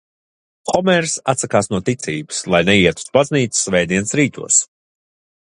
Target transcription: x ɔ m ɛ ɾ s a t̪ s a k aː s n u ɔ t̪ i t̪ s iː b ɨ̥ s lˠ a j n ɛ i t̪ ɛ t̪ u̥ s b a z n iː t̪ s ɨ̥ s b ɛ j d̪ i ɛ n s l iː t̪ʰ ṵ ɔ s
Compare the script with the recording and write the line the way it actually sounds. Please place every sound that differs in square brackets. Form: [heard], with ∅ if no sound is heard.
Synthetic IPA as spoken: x ɔ m ɛ ɾ s a t̪ s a k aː s n u ɔ t̪ i t̪ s iː b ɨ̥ s lˠ a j n ɛ i [∅] ɛ t̪ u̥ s b a z n iː t̪ s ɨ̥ s [v] ɛ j d̪ i ɛ n s [ɾ] iː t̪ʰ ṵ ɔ s